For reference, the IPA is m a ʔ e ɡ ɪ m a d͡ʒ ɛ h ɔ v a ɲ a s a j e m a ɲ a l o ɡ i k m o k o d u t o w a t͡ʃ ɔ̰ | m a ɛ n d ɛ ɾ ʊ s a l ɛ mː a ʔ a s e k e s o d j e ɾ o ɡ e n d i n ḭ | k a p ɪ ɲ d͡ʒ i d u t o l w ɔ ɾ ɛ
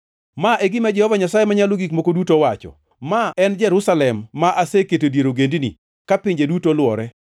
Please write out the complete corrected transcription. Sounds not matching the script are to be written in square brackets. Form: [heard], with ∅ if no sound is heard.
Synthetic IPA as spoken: m a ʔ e ɡ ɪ m a d͡ʒ ɛ h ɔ v a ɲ a s a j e m a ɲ a l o ɡ i k m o k o d u t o w a t͡ʃ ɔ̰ | m a ɛ n [d͡ʒ] ɛ ɾ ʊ s a l ɛ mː a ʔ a s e k e [t] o d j e ɾ o ɡ e n d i n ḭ | k a p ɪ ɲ d͡ʒ [e] d u t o l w ɔ ɾ ɛ